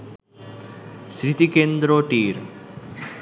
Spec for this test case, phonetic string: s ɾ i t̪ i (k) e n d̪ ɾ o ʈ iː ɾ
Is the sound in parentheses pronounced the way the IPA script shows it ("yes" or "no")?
yes